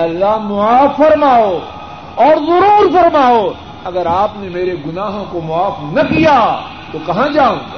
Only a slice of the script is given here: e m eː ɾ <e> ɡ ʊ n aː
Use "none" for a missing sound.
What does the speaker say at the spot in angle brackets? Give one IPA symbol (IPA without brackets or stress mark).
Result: e